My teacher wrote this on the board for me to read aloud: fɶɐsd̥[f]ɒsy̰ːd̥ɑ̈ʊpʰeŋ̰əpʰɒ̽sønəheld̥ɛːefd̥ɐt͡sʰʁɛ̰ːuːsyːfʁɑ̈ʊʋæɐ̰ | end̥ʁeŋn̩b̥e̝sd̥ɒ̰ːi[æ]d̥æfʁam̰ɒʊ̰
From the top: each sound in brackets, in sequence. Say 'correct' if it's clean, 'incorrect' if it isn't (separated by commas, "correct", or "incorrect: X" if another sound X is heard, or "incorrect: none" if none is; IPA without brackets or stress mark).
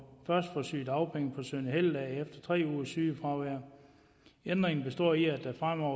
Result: correct, correct